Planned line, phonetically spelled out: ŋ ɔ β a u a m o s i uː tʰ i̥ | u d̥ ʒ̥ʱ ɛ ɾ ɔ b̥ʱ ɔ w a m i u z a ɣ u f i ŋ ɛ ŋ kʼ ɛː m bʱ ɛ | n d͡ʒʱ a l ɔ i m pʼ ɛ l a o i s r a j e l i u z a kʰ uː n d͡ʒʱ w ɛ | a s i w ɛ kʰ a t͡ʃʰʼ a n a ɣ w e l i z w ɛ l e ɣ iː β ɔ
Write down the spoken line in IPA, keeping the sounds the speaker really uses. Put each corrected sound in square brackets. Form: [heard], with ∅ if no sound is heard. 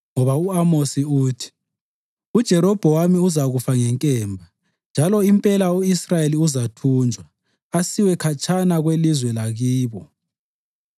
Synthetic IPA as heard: ŋ ɔ β a u a m o s i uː tʰ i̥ | u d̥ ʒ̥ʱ ɛ ɾ ɔ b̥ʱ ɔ w a m i u z a ɣ u f [a] ŋ ɛ ŋ kʼ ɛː m bʱ [a] | n d͡ʒʱ a l ɔ i m pʼ ɛ l a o i s r a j e l i u z a [tʰ] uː n d͡ʒʱ w [a] | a s i w ɛ kʰ a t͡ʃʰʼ a n a ɣ w e l i z w ɛ l [a] ɣ iː β ɔ